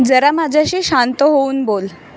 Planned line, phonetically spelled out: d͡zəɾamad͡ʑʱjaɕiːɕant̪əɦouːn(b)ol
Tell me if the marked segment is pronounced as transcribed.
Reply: yes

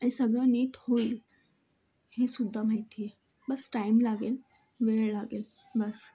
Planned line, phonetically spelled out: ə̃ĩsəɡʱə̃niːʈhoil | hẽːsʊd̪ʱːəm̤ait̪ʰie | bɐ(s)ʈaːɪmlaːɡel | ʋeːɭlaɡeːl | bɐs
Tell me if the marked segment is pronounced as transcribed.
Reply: yes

